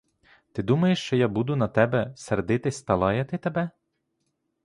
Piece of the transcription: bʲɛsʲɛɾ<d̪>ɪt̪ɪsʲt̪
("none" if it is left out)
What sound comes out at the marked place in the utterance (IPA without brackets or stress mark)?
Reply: d̪